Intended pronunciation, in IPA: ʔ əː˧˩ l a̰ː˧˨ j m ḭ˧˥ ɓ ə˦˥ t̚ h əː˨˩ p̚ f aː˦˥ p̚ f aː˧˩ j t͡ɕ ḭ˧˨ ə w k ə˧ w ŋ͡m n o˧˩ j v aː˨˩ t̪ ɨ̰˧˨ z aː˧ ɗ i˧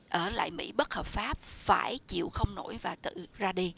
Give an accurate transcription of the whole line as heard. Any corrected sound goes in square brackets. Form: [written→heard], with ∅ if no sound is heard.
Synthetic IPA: ʔ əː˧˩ l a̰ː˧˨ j m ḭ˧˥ ɓ ə˦˥ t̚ h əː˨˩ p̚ f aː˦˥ p̚ f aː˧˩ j t͡ɕ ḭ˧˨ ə w [k→x] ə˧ w ŋ͡m n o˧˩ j v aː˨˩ t̪ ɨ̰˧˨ z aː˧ ɗ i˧